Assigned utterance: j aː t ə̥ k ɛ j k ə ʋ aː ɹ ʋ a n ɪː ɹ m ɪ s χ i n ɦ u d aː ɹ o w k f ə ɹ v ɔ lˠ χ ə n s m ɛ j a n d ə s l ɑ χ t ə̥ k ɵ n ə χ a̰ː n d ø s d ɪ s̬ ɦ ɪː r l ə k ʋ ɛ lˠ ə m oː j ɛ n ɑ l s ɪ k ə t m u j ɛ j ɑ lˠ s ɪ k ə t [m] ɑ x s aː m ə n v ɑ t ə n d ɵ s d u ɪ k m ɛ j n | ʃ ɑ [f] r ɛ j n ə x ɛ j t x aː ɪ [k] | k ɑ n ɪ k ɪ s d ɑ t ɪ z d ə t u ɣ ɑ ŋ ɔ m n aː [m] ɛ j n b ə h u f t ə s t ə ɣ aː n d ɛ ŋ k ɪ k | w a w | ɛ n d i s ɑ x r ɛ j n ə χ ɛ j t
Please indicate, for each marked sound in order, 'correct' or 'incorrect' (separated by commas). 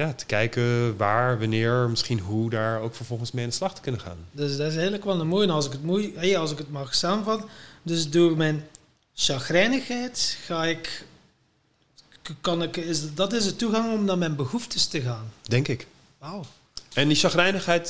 correct, incorrect, correct, correct